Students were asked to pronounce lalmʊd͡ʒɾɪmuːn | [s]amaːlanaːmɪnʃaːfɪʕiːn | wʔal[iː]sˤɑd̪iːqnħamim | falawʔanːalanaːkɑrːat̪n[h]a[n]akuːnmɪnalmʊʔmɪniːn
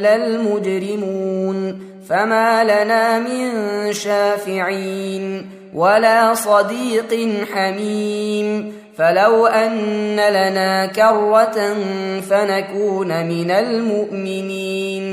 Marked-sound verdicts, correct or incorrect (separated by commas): incorrect, incorrect, incorrect, correct